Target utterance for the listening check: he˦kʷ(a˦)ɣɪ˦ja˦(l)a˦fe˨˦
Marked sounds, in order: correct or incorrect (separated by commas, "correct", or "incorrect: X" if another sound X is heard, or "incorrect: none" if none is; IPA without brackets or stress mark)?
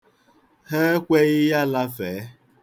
incorrect: e˦, correct